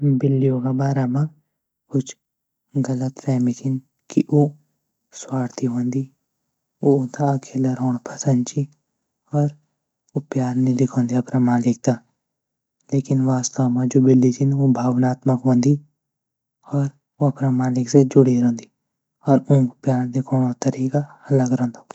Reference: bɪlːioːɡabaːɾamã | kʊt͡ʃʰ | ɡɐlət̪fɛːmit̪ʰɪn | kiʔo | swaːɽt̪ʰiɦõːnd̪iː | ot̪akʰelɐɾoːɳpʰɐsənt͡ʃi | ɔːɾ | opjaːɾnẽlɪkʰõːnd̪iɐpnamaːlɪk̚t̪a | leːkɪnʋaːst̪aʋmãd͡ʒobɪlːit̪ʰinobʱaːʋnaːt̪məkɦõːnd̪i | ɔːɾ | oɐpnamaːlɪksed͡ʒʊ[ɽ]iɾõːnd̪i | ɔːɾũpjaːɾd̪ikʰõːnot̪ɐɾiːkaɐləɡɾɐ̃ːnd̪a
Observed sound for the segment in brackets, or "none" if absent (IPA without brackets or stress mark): ɽ